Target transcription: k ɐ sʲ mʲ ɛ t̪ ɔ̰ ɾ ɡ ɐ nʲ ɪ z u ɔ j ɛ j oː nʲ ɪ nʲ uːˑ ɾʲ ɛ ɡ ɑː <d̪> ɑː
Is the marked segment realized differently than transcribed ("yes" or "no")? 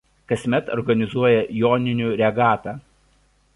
yes